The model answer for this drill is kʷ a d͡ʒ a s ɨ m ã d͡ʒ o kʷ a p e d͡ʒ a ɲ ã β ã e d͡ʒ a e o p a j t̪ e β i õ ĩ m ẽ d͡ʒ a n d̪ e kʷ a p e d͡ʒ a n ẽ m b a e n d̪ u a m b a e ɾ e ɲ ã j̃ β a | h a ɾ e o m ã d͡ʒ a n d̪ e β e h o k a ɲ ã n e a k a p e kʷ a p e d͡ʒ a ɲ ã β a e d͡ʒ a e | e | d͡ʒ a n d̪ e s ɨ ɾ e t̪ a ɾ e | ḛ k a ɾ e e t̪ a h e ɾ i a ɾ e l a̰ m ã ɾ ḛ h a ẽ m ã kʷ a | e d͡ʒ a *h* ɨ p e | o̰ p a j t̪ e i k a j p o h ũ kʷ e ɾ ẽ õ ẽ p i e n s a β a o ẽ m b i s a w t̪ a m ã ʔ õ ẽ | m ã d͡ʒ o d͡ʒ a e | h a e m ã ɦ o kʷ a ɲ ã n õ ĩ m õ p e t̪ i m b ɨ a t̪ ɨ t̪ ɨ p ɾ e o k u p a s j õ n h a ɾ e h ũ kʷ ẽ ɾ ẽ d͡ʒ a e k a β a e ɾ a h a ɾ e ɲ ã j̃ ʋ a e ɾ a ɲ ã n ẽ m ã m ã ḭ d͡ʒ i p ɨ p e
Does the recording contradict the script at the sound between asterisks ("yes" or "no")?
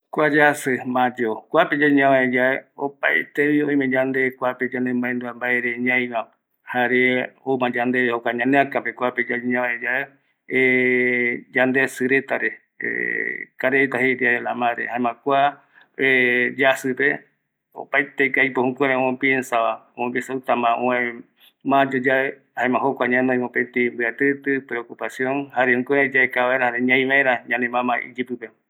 yes